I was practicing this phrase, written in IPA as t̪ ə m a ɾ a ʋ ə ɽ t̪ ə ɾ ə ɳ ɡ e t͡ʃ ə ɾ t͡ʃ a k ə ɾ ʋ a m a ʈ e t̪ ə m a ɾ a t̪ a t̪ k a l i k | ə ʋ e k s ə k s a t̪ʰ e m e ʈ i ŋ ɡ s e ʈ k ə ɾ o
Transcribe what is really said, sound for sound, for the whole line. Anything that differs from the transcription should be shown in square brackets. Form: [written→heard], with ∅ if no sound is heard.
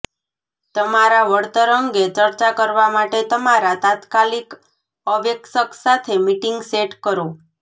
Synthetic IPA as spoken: t̪ ə m a ɾ a ʋ ə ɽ t̪ ə ɾ ə [ɳ→ŋ] ɡ e t͡ʃ ə ɾ t͡ʃ a k ə ɾ ʋ a m a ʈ e t̪ ə m a ɾ a t̪ a t̪ k a l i k | ə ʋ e k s ə k s a t̪ʰ e m [e→i] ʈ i ŋ ɡ s e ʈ k ə ɾ o